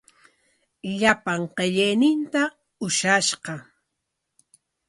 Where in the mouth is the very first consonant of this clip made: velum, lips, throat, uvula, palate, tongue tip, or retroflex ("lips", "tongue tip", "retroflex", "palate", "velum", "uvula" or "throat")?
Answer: palate